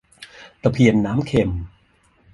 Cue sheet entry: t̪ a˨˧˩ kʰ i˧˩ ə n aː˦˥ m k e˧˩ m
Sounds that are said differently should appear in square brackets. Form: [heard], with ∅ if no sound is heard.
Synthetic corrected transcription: t̪ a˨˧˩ [pʰ] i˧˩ ə [nː] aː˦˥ m [kʰ] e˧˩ m